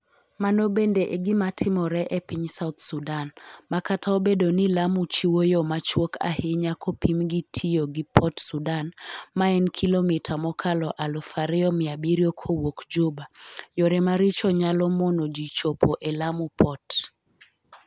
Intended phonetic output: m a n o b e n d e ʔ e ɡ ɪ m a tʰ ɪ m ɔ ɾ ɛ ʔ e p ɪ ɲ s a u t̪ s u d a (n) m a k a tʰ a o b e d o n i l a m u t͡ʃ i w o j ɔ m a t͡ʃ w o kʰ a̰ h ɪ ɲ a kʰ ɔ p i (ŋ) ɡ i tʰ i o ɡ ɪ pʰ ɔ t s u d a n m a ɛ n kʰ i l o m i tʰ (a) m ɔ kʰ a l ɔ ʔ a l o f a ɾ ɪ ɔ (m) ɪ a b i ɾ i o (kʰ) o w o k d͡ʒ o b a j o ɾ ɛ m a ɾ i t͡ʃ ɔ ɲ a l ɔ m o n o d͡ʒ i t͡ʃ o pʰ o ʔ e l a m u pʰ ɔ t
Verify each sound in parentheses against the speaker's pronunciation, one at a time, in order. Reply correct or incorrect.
correct, incorrect, correct, correct, correct

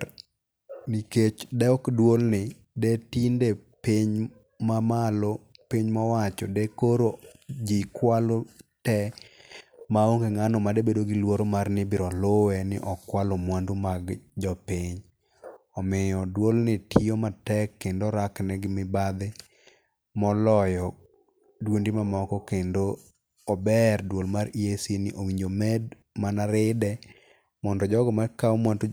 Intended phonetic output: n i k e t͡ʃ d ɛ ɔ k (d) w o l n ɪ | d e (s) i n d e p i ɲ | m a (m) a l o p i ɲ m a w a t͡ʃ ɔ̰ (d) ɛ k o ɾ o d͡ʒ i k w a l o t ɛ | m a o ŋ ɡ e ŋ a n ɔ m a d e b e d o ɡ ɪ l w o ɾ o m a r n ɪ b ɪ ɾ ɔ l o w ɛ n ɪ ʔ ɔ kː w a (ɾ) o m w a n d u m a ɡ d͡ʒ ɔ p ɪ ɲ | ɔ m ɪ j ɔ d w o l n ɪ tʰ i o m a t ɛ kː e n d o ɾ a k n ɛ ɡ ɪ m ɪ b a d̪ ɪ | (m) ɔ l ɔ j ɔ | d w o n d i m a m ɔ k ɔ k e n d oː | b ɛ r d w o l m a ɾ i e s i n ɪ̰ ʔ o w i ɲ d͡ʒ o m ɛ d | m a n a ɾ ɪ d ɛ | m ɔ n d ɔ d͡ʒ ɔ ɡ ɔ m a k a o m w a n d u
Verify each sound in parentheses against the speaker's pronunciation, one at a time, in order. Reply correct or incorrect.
correct, incorrect, correct, correct, incorrect, correct

